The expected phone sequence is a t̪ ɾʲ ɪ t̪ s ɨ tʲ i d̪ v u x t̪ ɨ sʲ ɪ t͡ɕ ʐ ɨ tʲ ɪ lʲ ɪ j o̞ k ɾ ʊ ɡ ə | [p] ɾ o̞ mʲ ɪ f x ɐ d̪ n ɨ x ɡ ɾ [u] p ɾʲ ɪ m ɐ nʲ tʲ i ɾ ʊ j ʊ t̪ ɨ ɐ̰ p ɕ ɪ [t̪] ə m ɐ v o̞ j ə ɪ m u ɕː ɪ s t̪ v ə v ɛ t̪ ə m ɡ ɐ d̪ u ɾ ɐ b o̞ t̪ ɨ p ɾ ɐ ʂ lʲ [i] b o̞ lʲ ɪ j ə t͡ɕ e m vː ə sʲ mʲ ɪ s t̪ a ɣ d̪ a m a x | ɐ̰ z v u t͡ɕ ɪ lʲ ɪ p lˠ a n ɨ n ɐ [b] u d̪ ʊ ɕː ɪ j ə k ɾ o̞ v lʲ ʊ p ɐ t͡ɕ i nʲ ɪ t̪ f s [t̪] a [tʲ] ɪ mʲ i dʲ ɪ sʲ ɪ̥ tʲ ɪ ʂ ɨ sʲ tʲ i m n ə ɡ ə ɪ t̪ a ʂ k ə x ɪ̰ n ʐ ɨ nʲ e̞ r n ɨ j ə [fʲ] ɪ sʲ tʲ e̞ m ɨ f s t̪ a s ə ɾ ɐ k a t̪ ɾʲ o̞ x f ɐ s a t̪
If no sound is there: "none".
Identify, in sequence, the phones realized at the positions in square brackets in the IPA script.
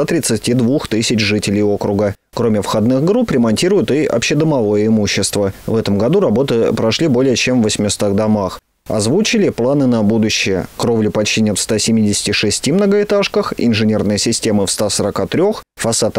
k, u, d̪, i, b, t̪, sʲ, sʲ

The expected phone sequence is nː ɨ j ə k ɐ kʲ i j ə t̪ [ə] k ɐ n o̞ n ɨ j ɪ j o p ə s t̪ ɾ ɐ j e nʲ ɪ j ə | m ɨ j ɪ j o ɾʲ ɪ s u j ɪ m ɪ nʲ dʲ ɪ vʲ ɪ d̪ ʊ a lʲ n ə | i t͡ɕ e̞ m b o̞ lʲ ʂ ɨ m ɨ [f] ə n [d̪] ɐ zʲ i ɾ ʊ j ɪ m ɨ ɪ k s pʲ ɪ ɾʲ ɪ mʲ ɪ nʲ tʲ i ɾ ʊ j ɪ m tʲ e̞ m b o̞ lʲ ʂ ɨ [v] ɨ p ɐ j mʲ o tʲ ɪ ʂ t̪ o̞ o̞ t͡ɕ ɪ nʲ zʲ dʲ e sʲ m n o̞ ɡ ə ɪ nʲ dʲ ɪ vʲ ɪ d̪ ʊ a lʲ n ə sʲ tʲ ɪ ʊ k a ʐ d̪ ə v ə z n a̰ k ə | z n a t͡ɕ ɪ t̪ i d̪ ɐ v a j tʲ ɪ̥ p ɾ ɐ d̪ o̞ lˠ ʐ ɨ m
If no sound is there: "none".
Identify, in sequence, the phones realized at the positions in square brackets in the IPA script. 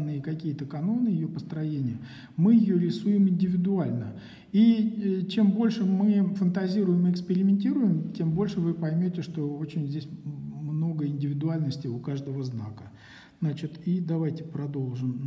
ə, f, t̪, v

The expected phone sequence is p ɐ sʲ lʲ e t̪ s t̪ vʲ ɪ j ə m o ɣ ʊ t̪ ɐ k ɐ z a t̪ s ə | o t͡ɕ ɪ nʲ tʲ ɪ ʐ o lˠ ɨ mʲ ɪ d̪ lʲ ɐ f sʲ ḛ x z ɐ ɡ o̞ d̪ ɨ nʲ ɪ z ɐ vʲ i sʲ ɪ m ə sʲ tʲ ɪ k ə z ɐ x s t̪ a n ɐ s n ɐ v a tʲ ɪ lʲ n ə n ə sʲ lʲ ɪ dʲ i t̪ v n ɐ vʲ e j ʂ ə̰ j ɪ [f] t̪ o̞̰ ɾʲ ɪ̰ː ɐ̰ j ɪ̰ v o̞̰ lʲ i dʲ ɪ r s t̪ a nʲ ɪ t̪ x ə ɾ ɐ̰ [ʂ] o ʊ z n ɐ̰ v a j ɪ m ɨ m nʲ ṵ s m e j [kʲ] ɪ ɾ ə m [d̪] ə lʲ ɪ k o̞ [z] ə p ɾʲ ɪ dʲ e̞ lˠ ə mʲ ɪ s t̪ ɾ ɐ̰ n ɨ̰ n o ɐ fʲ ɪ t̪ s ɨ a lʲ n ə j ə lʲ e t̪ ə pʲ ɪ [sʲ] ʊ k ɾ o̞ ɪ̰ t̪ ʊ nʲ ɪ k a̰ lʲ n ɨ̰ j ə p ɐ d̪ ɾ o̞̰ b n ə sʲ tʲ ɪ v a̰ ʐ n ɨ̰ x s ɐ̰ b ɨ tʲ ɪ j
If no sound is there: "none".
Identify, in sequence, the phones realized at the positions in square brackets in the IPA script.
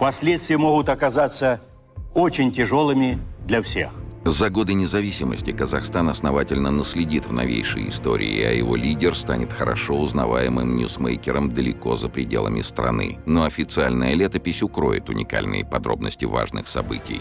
s, ʂ, kʲ, d̪, z, sʲ

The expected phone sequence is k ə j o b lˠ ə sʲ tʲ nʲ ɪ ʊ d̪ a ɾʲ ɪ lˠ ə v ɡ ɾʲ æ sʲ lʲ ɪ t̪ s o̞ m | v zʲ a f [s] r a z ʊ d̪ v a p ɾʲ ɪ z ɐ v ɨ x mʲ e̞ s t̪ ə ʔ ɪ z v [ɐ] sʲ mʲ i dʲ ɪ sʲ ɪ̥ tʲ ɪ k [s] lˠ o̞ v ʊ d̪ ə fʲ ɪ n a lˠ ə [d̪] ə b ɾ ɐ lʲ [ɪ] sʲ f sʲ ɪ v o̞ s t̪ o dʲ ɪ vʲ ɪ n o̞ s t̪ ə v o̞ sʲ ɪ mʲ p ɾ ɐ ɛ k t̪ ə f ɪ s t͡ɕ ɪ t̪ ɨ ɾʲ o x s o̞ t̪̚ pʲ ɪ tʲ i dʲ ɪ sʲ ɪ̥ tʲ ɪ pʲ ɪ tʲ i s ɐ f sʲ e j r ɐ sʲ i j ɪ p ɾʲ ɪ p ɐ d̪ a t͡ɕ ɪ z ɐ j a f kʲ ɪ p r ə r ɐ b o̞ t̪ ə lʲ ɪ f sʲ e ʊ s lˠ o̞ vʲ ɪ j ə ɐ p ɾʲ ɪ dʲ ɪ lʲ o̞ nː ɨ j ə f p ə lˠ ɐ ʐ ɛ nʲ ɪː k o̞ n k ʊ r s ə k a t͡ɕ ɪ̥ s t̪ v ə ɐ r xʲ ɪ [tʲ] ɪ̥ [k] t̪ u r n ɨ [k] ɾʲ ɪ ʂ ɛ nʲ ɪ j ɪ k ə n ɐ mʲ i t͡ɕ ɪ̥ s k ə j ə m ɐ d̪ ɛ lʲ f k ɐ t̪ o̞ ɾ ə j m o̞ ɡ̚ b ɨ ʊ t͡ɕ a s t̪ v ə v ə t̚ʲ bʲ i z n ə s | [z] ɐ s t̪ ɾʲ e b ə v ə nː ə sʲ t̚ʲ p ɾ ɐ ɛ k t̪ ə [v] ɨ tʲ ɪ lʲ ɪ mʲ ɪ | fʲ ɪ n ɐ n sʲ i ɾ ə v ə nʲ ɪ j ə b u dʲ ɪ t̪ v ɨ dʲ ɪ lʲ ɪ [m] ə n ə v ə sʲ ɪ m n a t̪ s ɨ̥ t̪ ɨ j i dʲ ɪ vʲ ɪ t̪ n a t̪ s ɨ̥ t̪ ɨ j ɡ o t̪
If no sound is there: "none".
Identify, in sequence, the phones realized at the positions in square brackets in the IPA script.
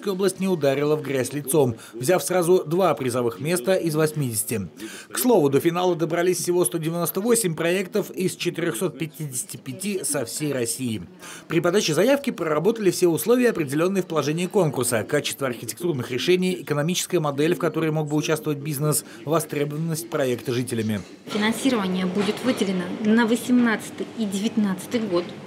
s, ɐ, s, d̪, i, tʲ, k, x, v, ʐ, n

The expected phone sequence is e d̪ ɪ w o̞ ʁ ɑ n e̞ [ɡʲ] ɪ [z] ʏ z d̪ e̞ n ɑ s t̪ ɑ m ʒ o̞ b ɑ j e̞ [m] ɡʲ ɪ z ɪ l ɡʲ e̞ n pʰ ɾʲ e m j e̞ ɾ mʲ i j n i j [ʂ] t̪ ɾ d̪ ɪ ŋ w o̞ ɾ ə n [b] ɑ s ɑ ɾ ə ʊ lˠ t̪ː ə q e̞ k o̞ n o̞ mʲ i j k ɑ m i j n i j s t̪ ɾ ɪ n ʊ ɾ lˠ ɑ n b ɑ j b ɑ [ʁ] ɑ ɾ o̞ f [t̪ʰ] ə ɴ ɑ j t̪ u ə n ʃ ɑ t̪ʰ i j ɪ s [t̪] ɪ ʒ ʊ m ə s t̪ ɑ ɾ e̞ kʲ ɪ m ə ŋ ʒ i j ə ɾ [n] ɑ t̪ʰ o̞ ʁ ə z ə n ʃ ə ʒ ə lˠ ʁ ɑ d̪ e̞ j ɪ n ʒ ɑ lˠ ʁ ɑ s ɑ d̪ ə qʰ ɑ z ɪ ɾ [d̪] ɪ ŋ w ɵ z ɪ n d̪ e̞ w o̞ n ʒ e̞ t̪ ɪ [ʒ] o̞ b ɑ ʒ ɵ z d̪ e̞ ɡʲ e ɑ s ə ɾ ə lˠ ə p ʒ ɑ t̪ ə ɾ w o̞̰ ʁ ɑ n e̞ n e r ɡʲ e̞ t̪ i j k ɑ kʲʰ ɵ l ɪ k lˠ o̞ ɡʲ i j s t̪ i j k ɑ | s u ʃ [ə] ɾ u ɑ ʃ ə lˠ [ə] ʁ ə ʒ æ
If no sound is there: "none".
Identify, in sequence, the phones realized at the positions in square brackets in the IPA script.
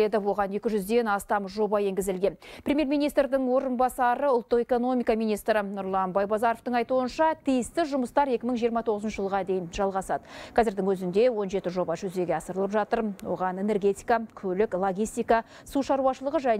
kʲ, ʒ, ŋ, s, b, z, t̪, t̪, m, d̪, ʒ, ɑ, ə

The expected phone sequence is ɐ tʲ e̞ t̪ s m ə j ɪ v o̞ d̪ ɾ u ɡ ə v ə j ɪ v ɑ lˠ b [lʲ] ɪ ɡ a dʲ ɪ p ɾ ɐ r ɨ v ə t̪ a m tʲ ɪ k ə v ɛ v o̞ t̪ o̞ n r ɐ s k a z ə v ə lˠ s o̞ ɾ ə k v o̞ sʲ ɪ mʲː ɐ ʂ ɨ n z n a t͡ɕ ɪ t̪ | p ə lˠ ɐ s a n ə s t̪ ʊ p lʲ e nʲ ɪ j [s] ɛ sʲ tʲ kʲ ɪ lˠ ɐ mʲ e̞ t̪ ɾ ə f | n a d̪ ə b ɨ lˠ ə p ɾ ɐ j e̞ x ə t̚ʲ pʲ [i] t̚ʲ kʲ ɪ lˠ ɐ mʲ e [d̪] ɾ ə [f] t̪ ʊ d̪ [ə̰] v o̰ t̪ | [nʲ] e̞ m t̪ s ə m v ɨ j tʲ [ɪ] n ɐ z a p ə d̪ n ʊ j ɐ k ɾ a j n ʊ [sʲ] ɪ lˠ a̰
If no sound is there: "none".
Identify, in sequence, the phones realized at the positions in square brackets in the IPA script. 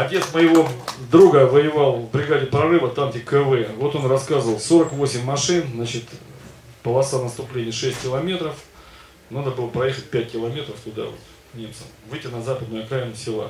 ɾʲ, ʂ, æ, t̪, f, a̰, nʲ, ɪ, sʲ

